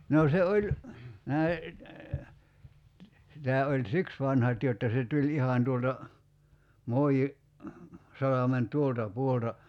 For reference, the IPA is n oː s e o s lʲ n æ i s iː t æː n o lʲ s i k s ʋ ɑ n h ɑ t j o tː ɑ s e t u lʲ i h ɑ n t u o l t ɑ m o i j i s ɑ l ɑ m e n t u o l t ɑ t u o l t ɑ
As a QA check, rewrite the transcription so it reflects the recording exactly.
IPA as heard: n oː s e o lʲ n æ i s i t æː o lʲ s i k s ʋ ɑ n h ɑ t j o tː ɑ s e t u lʲ i h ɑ n t u o l t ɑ m o i j i s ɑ l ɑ m e n t u o l t ɑ p u o l t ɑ